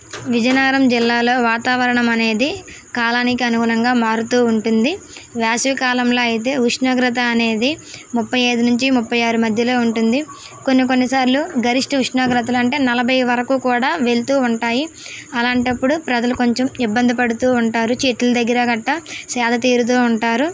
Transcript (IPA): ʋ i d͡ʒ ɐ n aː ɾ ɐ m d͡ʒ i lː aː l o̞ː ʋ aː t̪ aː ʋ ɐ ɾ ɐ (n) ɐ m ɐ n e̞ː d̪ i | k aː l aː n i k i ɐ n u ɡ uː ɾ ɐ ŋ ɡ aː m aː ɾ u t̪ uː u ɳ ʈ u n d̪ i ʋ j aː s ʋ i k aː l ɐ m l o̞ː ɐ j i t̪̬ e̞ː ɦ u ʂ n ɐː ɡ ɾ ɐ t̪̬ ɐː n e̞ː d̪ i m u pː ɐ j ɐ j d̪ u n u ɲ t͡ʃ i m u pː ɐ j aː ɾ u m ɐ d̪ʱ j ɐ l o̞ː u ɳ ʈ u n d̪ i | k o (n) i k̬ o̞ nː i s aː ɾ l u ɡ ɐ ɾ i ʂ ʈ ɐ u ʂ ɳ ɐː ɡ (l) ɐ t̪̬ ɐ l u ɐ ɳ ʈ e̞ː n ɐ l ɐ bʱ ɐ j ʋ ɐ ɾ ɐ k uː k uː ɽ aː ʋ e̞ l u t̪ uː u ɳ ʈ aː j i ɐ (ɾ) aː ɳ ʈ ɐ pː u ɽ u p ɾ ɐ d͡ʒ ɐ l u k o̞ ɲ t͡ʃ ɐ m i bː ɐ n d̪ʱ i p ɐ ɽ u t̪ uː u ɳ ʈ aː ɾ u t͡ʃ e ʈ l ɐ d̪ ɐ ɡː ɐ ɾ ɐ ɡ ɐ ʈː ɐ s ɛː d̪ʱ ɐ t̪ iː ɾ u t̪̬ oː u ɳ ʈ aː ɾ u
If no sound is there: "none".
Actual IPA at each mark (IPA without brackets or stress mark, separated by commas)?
ɳ, nː, ɾ, l